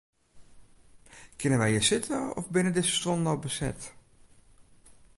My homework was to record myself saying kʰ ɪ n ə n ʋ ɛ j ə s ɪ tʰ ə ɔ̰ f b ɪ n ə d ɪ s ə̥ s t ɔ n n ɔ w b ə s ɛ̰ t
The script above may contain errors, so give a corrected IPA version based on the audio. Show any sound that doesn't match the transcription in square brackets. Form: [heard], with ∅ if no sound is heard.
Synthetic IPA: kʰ ɪ n ə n ʋ ɛ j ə s ɪ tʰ ə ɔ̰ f b ɪ n ə d ɪ s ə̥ s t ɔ n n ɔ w b ə s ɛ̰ t